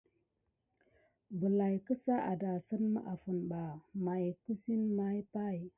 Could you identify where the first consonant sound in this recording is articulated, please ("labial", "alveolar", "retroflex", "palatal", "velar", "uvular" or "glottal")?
labial